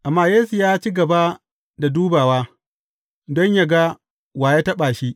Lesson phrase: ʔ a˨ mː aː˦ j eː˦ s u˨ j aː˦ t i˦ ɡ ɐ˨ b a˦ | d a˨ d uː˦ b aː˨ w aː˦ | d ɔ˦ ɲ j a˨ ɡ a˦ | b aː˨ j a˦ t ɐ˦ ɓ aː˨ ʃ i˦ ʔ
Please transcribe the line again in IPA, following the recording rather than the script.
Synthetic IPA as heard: ʔ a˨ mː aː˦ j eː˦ s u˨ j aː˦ t͡ʃ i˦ ɡ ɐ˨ b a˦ | d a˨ d uː˦ b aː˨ w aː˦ | d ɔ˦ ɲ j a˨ ɡ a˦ | w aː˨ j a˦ t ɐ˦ ɓ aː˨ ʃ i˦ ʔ